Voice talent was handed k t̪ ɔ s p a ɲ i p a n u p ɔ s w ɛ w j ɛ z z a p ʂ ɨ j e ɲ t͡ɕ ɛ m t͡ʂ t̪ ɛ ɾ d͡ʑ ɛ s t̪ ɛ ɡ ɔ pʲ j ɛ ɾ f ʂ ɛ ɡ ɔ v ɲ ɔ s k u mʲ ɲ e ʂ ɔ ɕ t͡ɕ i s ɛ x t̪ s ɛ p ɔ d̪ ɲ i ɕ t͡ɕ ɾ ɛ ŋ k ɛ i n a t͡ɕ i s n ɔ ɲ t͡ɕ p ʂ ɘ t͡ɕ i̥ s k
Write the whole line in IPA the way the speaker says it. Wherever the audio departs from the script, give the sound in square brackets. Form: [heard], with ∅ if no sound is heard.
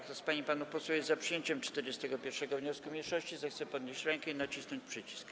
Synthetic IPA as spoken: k t̪ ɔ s p a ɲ i p a n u p ɔ s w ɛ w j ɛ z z a p ʂ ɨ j e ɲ t͡ɕ ɛ m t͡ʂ t̪ ɛ ɾ d͡ʑ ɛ s t̪ ɛ ɡ ɔ pʲ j ɛ ɾ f ʂ ɛ ɡ ɔ v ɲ ɔ s k u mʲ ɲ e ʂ ɔ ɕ t͡ɕ i [z] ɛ x t̪ s ɛ p ɔ d̪ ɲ [e] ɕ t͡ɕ ɾ ɛ ŋ k ɛ i n a t͡ɕ i s n ɔ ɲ t͡ɕ p ʂ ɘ t͡ɕ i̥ s k